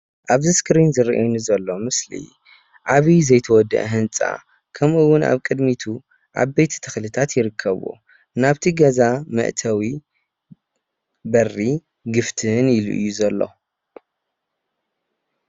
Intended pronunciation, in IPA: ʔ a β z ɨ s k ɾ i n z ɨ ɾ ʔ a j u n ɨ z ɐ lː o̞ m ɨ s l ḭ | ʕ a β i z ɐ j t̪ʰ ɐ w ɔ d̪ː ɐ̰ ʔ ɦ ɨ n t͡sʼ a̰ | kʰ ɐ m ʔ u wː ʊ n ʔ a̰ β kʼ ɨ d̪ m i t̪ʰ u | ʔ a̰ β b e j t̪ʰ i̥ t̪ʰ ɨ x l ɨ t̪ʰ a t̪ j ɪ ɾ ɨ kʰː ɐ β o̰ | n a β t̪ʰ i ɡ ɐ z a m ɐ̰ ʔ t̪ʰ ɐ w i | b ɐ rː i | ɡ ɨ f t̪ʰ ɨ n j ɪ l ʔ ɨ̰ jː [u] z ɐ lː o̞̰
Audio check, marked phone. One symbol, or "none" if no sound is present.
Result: u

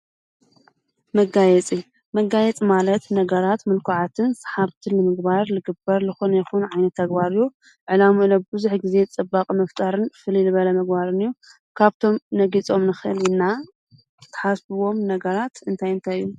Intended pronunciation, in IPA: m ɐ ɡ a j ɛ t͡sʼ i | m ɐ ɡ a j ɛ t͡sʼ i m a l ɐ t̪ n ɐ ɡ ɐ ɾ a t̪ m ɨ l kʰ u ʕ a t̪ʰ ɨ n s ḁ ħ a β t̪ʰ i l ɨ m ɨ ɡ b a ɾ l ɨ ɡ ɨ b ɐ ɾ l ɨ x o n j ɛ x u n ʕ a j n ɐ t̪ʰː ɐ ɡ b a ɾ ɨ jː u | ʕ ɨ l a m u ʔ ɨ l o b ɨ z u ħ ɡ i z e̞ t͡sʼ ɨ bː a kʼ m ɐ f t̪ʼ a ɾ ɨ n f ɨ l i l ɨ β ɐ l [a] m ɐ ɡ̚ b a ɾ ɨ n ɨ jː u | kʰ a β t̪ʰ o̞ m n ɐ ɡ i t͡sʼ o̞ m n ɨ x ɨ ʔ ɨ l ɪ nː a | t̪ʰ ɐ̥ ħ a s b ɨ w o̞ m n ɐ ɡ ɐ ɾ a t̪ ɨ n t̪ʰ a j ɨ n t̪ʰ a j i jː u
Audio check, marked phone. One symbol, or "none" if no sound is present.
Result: ɐ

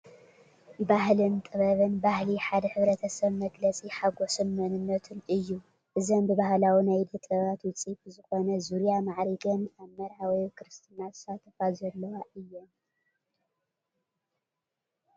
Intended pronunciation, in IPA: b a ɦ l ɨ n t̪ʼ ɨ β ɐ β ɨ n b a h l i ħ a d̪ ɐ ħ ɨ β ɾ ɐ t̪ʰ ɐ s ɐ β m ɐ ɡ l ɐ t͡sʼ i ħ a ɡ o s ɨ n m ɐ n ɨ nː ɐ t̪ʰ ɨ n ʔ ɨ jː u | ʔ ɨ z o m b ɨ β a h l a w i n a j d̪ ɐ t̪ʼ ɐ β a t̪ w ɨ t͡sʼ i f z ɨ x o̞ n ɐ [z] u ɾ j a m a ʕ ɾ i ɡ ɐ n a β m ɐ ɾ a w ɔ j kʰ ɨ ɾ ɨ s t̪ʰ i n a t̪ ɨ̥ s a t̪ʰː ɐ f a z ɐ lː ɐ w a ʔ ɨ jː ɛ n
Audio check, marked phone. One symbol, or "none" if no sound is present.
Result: z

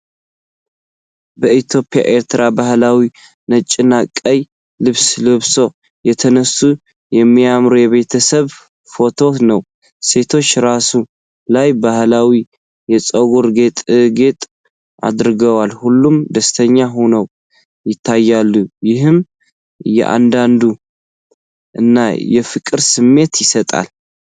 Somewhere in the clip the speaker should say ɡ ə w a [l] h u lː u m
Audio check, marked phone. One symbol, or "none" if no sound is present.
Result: l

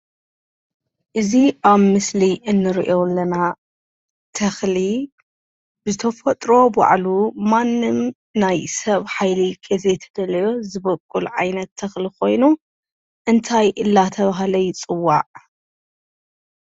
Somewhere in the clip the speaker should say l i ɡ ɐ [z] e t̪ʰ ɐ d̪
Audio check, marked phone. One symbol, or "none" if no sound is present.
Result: z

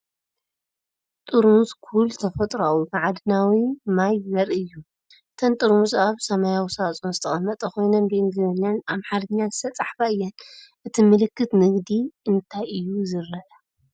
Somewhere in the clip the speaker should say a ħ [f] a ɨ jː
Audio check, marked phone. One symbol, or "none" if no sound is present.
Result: f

